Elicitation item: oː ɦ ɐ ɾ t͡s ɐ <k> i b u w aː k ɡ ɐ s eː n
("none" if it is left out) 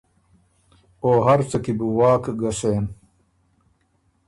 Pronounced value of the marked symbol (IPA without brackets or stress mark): k